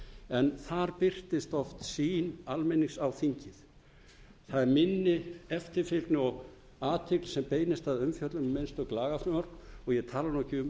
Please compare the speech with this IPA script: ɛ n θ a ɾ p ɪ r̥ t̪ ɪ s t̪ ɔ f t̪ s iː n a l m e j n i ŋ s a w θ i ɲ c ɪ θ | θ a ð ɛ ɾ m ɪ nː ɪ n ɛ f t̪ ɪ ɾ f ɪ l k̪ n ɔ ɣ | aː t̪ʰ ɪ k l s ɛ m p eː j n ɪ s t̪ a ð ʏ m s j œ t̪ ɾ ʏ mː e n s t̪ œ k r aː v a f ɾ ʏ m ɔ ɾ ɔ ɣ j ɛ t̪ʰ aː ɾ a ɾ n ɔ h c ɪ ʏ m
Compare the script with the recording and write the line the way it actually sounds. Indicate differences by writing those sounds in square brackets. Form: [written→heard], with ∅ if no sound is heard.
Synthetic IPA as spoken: ɛ n θ a ɾ p ɪ r̥ t̪ ɪ s t̪ ɔ f t̪ s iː n a l m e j n i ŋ s a w θ i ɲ c ɪ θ | θ a ð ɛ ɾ m ɪ nː ɪ [n→∅] ɛ f t̪ ɪ ɾ f ɪ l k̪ n ɔ ɣ | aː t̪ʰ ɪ k l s ɛ m p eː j n ɪ s t̪ a ð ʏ m [s→f] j œ t̪ [ɾ→l] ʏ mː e n s t̪ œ k [r→l] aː [v→ɣ] a f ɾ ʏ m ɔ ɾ ɔ ɣ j ɛ t̪ʰ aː [ɾ→l] a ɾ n ɔ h c ɪ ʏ m